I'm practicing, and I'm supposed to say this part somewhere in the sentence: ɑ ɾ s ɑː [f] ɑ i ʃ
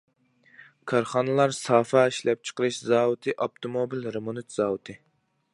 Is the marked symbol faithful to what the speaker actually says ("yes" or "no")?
yes